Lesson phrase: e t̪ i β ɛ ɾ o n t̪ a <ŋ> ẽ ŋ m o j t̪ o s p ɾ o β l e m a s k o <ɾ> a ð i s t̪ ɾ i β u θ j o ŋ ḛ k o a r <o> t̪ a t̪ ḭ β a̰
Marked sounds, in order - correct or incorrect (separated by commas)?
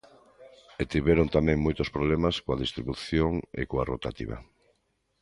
incorrect, incorrect, correct